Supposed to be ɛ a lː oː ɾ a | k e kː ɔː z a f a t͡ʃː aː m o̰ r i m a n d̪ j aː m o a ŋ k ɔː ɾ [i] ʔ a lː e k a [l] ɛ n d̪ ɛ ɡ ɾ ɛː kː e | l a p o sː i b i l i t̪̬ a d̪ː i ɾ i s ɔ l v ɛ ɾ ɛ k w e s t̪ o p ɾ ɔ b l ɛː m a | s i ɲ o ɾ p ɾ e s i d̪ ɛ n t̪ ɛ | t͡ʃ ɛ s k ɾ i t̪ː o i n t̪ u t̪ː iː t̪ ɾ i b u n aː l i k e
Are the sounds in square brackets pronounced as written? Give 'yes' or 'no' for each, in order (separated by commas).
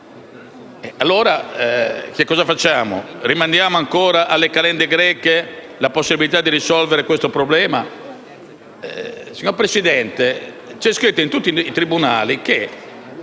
no, yes